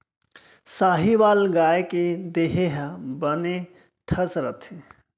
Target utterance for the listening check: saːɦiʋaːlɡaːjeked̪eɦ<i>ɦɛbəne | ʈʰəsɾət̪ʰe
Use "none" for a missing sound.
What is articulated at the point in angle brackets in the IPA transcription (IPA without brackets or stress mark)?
e